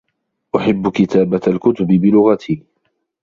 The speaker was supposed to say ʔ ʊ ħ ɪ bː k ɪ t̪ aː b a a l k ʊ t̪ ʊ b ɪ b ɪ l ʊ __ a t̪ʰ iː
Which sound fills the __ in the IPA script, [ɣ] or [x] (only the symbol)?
ɣ